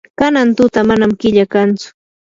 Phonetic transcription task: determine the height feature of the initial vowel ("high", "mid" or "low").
low